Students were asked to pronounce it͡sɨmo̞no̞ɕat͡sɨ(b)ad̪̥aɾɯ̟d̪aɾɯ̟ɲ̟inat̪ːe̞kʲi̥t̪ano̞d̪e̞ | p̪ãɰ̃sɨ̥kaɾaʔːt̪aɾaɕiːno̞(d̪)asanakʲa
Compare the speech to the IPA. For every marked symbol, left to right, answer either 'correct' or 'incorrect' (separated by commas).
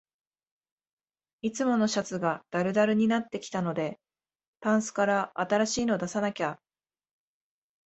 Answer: incorrect, correct